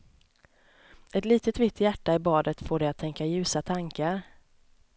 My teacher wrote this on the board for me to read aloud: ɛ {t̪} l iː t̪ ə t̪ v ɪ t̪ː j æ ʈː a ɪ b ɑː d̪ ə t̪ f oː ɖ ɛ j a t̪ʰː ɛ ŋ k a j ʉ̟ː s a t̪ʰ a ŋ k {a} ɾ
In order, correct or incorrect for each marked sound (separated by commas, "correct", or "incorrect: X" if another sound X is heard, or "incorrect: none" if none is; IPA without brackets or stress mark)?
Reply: correct, correct